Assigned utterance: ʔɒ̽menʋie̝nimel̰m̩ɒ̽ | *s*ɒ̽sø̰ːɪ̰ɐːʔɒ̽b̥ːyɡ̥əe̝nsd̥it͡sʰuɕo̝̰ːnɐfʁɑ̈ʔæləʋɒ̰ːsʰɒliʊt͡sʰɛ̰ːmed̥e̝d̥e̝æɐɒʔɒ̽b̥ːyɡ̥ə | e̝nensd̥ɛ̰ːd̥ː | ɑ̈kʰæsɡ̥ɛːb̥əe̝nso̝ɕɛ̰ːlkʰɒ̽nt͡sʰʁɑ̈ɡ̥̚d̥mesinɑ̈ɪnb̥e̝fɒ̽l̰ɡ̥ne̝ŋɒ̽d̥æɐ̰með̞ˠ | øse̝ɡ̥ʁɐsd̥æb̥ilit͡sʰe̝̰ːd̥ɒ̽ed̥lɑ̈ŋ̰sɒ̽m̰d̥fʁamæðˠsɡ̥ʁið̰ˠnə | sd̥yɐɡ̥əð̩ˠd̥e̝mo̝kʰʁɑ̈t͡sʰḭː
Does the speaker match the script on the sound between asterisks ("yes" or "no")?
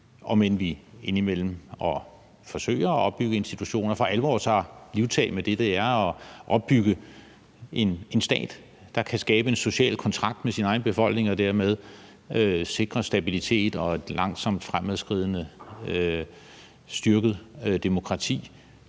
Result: no